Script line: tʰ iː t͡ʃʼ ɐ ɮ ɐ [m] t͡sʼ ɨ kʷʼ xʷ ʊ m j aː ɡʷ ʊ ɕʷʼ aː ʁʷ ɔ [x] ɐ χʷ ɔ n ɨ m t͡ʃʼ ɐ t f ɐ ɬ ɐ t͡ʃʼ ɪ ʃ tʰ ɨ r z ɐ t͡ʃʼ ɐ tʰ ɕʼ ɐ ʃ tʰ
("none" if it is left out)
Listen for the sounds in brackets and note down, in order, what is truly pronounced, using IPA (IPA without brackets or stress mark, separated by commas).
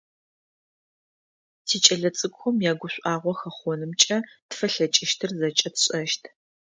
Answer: none, x